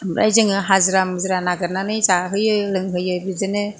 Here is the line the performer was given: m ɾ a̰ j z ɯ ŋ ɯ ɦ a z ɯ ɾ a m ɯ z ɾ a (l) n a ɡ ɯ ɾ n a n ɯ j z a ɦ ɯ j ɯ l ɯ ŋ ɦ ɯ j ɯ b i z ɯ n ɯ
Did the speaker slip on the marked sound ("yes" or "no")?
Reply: yes